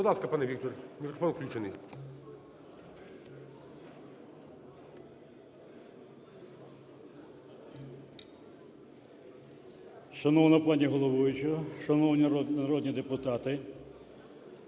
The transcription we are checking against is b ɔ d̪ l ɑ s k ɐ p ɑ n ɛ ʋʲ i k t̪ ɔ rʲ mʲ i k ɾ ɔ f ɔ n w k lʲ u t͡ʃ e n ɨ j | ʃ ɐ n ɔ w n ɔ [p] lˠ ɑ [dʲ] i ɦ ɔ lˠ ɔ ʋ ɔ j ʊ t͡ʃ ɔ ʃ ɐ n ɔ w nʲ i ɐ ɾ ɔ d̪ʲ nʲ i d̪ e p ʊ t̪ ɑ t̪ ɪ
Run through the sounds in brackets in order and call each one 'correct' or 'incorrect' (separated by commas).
correct, incorrect